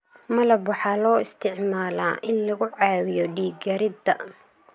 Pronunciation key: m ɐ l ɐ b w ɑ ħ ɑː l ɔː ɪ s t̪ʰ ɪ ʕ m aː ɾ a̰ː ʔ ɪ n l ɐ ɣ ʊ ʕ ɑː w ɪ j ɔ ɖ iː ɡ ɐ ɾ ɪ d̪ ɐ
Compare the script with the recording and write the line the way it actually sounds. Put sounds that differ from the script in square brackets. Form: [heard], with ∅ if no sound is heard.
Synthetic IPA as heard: m ɐ l ɐ b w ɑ ħ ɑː l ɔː ɪ s t̪ʰ ɪ ʕ m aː [l] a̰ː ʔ ɪ n l ɐ ɣ ʊ ʕ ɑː w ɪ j ɔ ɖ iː ɡ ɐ ɾ ɪ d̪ ɐ